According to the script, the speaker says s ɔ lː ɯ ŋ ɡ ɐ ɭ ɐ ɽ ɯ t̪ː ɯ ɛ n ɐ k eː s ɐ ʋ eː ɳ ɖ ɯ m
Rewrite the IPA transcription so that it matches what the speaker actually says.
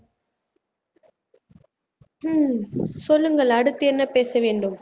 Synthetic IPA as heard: s ɔ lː ɯ ŋ ɡ ɐ ɭ ɐ ɽ ɯ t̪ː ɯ ɛ nː ɐ p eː s ɐ ʋ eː ɳ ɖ ɯ m